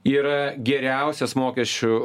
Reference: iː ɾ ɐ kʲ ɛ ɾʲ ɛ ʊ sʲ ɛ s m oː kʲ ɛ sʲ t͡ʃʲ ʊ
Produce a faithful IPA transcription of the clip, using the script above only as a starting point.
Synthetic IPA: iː ɾ ɐ ɡʲ ɛ ɾʲ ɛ ʊ sʲ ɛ s m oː kʲ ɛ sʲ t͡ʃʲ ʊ